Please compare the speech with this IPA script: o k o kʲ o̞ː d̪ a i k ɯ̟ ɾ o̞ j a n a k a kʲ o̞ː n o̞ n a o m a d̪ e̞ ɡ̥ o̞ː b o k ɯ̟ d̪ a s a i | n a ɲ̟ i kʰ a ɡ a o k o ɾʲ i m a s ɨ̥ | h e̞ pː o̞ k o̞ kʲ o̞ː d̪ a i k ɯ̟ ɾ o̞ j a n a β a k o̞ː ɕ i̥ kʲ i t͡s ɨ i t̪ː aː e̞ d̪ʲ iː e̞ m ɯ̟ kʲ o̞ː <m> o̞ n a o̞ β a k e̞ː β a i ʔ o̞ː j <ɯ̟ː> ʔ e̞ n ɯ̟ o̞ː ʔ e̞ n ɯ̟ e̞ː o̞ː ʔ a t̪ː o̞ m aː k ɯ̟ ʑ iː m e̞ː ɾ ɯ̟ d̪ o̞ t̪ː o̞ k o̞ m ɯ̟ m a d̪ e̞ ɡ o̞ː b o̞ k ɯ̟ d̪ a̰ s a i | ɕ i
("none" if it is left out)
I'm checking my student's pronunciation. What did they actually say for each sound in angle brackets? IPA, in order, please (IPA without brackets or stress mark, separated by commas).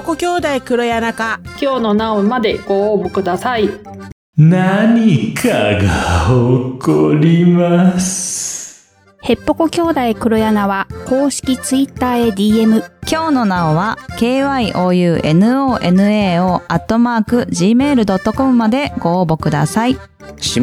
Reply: n, ɯ̟ː